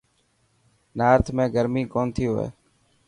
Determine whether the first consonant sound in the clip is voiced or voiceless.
voiced